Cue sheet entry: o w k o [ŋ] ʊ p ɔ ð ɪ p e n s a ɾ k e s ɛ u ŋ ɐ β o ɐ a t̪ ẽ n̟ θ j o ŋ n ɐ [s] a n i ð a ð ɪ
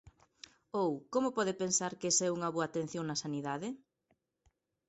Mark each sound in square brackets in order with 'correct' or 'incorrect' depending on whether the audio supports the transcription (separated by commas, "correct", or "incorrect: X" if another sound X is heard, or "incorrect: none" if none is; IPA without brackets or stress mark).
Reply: incorrect: m, correct